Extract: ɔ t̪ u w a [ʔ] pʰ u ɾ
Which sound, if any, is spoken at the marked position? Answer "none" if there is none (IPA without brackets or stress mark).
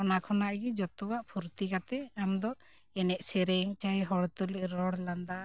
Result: ʔ